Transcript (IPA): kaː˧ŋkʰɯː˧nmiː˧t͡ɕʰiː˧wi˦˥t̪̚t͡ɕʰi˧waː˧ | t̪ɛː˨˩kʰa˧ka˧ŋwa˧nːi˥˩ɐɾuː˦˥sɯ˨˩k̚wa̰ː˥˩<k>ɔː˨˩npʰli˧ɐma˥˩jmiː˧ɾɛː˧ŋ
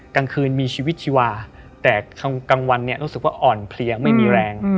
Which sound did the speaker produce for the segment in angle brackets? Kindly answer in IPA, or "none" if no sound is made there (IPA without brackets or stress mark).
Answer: ʔ